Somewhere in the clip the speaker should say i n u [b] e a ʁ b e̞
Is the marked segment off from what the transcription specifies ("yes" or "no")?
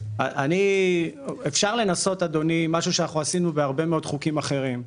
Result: no